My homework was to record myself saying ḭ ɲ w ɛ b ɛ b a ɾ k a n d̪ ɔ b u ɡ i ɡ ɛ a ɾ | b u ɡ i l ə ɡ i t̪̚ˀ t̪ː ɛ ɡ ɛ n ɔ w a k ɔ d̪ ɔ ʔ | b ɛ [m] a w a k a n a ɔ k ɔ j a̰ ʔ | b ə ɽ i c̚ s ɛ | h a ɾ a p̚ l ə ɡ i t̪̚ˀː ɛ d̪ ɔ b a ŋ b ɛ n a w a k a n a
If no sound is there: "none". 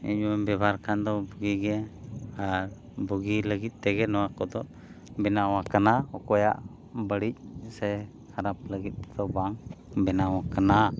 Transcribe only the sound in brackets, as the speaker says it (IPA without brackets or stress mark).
n